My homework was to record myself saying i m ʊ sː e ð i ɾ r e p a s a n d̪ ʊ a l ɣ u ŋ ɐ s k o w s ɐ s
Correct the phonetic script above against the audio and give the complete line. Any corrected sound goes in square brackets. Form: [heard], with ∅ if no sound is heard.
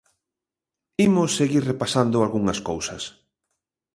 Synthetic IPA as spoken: i m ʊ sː e [ɣ] i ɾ r e p a s a n d̪ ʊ a l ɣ u ŋ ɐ s k o w s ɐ s